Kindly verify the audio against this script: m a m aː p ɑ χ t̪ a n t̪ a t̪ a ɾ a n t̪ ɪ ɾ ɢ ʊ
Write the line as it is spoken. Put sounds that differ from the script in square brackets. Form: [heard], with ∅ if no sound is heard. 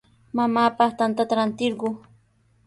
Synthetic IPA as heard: m a m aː p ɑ χ t̪ a n t̪ a t̪ a ɾ a n t̪ ɪ ɾ ɢ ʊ